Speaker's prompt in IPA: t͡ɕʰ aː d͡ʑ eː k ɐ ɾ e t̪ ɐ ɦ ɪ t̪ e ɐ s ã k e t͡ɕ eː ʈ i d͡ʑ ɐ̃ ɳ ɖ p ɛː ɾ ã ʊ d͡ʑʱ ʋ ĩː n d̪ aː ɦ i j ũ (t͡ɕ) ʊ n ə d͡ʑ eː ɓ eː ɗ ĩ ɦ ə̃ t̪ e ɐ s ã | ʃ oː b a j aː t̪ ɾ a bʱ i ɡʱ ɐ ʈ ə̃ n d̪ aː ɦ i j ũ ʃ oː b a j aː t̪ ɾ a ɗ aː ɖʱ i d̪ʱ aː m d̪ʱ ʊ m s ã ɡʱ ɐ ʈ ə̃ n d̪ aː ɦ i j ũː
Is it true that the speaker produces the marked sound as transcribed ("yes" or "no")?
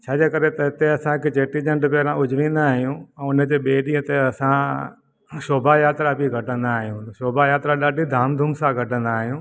no